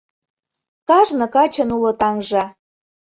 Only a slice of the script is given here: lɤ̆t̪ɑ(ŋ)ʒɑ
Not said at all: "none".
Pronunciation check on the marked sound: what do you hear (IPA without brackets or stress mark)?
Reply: ŋ